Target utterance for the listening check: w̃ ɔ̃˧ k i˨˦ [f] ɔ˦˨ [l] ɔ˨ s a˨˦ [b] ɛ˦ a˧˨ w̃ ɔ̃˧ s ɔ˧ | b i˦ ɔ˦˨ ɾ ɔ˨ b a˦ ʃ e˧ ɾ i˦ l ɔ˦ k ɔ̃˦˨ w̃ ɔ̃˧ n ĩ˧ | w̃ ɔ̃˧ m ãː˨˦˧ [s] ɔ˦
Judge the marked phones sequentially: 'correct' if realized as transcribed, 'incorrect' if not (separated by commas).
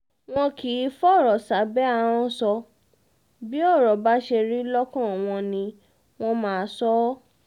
correct, incorrect, correct, correct